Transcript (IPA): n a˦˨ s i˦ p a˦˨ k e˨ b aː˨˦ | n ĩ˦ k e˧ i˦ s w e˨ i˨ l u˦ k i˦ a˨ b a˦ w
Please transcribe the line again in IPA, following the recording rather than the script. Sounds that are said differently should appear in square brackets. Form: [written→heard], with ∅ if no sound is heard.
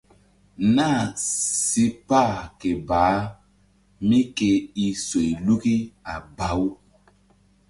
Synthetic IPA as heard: n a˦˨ s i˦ p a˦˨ k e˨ b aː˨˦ | [n→m] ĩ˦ k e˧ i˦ s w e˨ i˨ l u˦ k i˦ a˨ b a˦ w